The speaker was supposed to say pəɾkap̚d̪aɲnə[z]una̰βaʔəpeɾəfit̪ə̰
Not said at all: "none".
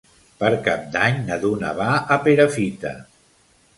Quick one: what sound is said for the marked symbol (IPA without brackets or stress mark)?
ð